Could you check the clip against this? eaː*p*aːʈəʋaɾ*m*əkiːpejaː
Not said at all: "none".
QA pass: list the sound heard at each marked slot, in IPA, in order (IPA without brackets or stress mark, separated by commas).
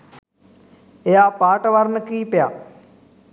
p, n